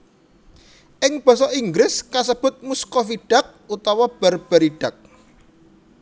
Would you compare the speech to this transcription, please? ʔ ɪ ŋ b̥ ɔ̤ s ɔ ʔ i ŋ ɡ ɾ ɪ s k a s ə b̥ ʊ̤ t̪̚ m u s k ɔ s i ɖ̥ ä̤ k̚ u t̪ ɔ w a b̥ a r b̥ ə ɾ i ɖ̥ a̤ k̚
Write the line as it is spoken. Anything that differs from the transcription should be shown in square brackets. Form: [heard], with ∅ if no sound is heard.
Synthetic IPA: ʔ ɪ ŋ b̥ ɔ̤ s ɔ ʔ i ŋ ɡ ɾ ɪ s k a s ə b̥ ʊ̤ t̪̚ m u s k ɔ [f] i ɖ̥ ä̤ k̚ u t̪ ɔ w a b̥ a r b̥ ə ɾ i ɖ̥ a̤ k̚